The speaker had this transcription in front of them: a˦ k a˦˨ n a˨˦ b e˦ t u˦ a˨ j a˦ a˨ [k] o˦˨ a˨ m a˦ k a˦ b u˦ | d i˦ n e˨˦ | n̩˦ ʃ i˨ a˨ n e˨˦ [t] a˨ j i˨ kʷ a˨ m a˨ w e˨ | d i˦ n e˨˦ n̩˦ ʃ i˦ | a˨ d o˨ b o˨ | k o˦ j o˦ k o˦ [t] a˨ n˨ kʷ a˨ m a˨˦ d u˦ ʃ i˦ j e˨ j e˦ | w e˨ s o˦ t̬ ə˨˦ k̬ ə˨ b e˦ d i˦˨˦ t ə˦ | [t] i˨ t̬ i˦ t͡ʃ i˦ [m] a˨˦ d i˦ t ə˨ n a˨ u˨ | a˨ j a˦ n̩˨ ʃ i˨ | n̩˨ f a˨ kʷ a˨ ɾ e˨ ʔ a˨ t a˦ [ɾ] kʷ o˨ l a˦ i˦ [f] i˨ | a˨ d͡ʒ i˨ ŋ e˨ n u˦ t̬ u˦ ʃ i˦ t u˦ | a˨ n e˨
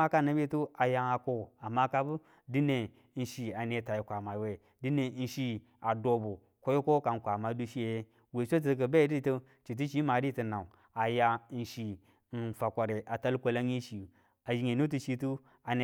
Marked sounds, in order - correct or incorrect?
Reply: correct, correct, incorrect: k, incorrect: t͡ʃ, correct, incorrect: l, incorrect: ʃ

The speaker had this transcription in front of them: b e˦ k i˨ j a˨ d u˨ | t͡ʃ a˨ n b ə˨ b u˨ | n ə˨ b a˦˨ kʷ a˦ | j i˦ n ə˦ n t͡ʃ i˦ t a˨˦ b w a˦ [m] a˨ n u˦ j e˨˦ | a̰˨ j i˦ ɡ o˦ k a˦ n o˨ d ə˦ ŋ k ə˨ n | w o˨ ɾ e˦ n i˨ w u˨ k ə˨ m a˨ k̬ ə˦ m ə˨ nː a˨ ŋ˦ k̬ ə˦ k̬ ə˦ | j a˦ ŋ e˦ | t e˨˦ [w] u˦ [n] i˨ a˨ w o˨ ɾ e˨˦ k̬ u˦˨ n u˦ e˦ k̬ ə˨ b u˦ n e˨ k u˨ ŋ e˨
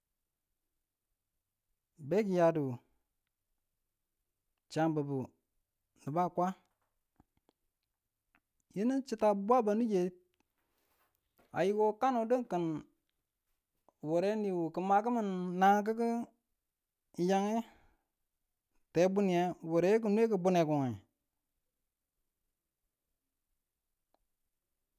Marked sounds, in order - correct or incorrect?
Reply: incorrect: b, incorrect: b, correct

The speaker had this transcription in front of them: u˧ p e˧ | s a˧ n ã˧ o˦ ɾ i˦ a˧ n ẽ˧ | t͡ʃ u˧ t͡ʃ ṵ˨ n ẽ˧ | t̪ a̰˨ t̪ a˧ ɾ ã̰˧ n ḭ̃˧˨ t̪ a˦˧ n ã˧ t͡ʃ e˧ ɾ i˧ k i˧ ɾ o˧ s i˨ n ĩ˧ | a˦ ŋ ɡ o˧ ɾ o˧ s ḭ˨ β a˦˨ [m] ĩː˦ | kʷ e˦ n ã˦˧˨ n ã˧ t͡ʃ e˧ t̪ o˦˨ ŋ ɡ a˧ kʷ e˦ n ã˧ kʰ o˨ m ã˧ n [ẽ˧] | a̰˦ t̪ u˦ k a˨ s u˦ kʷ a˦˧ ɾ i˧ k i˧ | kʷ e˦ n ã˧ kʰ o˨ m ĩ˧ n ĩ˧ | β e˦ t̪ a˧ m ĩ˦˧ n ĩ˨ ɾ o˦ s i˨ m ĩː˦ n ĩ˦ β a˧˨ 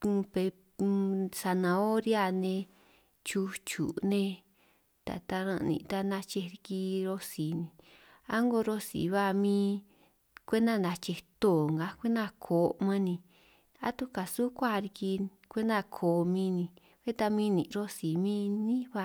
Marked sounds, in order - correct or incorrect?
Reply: correct, incorrect: ĩ˧

